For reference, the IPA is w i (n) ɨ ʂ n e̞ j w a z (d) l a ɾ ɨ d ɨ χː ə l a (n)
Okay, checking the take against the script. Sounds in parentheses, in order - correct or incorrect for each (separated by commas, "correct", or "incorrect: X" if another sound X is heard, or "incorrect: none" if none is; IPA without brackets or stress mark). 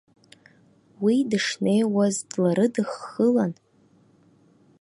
incorrect: d, correct, correct